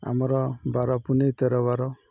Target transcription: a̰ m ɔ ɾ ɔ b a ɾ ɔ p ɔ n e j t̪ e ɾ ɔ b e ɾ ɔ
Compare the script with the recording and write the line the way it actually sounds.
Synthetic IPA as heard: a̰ m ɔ ɾ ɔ b a ɾ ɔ p u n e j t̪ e ɾ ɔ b a ɾ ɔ